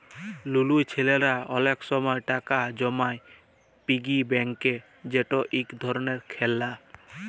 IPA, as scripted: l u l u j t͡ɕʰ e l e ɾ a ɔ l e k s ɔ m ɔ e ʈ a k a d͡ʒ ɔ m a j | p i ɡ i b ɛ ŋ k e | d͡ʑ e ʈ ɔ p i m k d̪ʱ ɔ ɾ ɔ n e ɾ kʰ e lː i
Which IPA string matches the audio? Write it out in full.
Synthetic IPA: l u l u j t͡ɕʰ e l e ɾ a ɔ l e k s ɔ m ɔ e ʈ a k a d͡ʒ ɔ m a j | p i ɡ i b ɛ ŋ k e | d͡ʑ e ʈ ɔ ʔ i k d̪ʱ ɔ ɾ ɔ n e ɾ kʰ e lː a